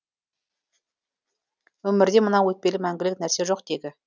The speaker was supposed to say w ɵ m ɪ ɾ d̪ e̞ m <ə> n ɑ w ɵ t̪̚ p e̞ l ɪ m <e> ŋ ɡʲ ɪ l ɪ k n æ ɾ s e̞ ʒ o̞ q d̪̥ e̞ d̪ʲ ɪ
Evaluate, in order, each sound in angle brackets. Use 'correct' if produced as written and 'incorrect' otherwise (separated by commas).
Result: correct, incorrect